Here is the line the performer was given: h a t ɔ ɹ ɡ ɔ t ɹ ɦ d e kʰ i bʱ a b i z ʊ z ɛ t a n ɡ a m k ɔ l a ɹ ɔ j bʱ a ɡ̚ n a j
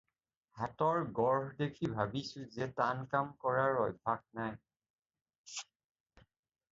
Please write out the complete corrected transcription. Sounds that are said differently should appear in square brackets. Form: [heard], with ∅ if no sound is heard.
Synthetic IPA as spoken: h a t ɔ ɹ ɡ ɔ [∅] ɹ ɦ d e kʰ i bʱ a b i [s] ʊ z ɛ t a n [k] a m k ɔ [ɹ] a ɹ ɔ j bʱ a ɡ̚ n a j